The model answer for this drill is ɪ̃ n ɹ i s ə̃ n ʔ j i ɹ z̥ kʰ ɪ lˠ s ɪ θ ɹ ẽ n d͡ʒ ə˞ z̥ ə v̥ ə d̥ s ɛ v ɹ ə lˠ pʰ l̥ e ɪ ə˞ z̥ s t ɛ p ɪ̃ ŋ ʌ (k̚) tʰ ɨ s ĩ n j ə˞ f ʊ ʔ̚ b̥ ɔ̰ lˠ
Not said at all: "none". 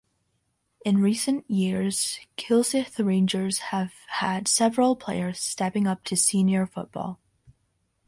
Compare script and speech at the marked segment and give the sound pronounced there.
p̚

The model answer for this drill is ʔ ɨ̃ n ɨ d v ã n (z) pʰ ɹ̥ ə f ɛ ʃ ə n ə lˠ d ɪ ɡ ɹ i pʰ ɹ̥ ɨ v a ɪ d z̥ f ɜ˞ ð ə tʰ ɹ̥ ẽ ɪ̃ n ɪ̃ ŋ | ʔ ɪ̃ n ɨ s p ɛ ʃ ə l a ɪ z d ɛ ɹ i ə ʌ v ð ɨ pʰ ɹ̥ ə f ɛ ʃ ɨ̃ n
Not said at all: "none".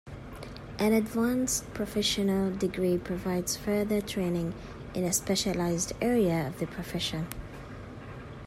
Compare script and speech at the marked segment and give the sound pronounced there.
s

